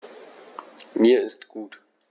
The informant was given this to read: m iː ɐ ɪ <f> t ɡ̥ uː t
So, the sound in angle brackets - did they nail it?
no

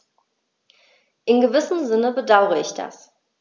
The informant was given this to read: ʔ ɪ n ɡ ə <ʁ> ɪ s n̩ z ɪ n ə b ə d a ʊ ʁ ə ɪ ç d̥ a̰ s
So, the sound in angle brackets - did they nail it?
no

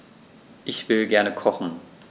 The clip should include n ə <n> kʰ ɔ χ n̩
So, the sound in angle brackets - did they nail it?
no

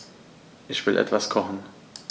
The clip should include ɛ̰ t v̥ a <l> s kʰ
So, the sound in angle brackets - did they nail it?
no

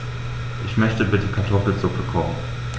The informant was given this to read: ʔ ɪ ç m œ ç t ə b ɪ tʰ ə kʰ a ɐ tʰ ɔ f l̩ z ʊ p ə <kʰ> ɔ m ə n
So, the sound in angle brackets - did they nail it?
yes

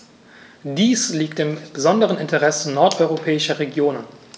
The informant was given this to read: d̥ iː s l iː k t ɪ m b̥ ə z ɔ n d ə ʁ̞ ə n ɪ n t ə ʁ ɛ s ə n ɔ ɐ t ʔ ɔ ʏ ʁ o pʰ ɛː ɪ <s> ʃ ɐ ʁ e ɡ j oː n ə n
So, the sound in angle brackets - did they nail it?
no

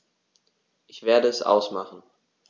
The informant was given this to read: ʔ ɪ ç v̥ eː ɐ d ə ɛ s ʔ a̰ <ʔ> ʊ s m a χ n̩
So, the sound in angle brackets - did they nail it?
no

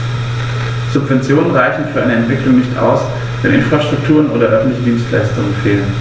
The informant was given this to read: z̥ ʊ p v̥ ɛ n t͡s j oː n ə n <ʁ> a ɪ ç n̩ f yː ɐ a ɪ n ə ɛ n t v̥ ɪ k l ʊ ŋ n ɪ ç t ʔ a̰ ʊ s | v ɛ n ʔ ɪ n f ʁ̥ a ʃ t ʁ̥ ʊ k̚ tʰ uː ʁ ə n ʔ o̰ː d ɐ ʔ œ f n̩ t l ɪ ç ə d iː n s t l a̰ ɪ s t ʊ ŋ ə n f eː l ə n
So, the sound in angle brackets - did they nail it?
yes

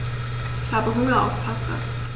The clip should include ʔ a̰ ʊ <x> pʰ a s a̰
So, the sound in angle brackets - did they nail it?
no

